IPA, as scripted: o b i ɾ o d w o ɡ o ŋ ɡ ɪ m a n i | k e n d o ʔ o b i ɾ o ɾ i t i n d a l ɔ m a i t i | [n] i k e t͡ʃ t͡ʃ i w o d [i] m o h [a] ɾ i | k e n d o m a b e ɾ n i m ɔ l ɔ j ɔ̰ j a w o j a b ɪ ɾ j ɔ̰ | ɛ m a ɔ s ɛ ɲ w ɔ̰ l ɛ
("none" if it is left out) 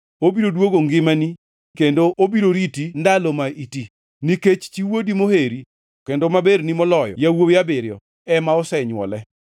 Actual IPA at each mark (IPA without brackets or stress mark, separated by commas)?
n, i, e